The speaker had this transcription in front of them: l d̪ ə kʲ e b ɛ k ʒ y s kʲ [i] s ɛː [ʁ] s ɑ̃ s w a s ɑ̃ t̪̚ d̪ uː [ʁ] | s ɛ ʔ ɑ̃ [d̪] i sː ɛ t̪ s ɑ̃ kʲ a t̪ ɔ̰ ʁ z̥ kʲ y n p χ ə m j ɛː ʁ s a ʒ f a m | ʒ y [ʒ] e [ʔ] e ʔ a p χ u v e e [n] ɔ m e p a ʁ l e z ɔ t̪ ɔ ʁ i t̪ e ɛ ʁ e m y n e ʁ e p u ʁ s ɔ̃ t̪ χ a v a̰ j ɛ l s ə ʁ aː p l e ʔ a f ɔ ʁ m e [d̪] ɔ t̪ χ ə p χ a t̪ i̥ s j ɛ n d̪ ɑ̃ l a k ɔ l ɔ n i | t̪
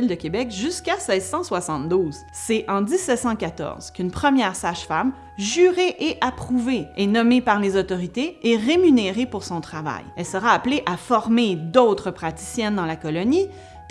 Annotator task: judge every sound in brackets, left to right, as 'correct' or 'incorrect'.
incorrect, incorrect, incorrect, correct, incorrect, correct, correct, correct

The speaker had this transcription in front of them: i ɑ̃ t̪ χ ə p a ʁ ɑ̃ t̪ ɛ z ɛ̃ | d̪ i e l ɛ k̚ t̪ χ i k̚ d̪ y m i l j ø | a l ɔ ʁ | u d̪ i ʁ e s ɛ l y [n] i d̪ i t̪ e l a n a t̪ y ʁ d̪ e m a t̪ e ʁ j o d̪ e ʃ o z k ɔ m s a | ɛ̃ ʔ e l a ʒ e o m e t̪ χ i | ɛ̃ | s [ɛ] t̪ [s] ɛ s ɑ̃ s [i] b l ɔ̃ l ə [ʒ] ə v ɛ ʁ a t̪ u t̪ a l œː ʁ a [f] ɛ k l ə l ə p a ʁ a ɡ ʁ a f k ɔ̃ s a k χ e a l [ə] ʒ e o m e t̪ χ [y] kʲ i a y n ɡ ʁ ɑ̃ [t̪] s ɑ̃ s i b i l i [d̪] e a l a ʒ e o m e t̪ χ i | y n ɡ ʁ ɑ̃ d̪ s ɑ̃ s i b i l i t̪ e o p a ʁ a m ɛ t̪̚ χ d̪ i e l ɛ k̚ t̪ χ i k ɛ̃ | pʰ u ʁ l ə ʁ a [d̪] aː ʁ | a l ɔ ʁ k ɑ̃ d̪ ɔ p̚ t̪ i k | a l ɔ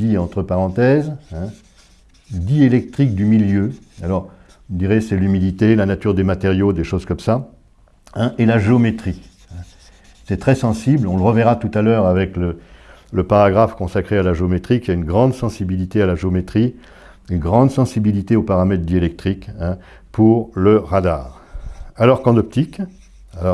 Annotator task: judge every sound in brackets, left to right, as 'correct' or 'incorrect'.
incorrect, correct, incorrect, correct, incorrect, incorrect, incorrect, incorrect, incorrect, incorrect, correct

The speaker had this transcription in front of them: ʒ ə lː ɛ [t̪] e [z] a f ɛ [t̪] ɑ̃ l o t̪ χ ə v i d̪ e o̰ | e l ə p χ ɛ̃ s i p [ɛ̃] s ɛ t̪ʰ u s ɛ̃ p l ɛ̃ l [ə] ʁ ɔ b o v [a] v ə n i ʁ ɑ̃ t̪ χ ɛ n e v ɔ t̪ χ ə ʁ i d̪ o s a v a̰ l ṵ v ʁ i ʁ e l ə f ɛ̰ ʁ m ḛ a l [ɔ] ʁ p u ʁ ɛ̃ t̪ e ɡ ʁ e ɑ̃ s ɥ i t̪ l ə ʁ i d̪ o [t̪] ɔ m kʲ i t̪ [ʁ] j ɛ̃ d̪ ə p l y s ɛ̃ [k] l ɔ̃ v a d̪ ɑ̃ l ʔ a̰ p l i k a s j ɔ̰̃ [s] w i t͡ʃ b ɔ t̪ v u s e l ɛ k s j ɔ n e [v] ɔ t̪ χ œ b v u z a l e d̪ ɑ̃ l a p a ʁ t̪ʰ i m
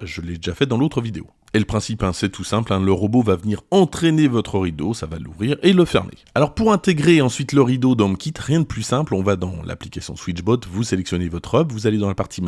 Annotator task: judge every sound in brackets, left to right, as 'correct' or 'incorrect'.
incorrect, incorrect, incorrect, correct, correct, correct, correct, incorrect, correct, incorrect, correct, correct

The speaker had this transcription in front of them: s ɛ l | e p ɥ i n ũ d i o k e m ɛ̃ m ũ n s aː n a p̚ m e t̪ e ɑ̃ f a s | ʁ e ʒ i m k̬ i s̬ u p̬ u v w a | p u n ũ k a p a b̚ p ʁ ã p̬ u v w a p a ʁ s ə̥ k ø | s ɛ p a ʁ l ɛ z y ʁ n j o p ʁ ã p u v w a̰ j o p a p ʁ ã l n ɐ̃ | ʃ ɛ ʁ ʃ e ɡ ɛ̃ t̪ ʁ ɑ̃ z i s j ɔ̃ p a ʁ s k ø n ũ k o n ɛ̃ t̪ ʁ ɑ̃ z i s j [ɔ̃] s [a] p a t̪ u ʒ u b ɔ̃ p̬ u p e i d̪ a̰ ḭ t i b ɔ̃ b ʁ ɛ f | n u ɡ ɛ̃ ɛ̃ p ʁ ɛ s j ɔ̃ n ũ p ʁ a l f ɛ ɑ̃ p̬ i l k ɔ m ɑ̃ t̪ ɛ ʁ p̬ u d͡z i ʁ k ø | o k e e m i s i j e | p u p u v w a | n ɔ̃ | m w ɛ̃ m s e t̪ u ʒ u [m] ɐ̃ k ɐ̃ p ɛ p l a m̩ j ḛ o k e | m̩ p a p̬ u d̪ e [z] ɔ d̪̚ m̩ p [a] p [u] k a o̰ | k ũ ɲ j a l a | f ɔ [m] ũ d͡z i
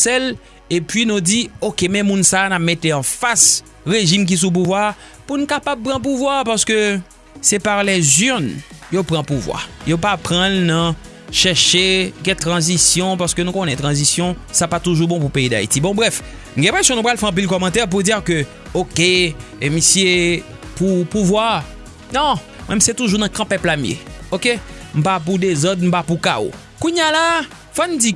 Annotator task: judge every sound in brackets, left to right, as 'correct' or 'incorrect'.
correct, correct, incorrect, correct, correct, correct, incorrect

